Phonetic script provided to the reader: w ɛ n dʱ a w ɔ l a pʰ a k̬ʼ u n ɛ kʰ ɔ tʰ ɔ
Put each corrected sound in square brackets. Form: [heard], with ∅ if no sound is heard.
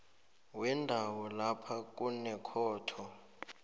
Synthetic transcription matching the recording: w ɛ n dʱ a w ɔ l a pʰ a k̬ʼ u n ɛ kʰ [ɔː] tʰ ɔ